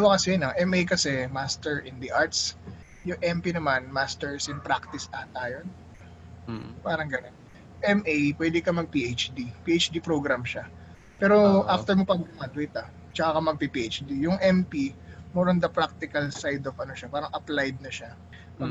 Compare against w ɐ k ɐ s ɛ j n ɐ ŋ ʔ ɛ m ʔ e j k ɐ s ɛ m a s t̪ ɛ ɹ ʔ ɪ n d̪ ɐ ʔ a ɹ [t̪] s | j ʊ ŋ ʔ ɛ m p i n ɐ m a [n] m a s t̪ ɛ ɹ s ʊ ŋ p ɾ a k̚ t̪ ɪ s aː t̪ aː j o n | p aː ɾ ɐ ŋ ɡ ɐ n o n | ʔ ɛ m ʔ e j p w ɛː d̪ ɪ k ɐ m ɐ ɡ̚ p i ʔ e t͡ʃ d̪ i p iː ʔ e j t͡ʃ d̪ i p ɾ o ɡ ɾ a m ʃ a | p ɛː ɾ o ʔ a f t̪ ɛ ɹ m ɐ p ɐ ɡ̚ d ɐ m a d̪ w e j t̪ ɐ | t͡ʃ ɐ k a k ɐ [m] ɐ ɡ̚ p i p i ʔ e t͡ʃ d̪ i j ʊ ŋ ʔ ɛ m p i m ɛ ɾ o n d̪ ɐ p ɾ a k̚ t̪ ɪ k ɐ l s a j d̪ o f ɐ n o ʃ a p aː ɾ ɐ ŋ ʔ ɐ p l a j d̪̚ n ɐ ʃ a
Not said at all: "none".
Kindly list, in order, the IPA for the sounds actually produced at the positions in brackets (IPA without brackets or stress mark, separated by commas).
t̪, n, m